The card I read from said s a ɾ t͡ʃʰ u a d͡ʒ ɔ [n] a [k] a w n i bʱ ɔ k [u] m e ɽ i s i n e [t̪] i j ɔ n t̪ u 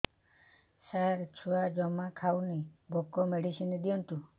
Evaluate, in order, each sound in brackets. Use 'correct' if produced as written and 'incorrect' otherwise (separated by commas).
incorrect, incorrect, incorrect, incorrect